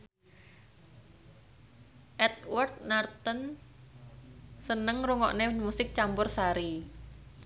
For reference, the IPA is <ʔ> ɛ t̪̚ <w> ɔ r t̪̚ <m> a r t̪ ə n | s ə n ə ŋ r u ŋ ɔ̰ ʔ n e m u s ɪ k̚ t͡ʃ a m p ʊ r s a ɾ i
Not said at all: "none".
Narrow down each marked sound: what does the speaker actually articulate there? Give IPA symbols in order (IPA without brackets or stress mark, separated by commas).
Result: ʔ, w, n